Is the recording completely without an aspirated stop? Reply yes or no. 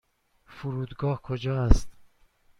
no